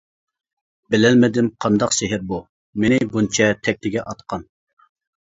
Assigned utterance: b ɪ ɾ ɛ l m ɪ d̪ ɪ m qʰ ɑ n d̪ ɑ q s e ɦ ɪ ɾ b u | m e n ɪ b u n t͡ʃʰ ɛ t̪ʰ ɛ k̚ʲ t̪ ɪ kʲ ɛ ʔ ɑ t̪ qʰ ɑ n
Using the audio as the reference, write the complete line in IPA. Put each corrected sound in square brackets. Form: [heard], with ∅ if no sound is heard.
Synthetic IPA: b ɪ [l] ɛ l m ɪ d̪ ɪ m qʰ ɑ n d̪ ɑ q s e ɦ ɪ ɾ b u | m e n ɪ b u n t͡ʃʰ ɛ t̪ʰ ɛ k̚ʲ t̪ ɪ [ɡʲ] ɛ ʔ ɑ t̪ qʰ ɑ n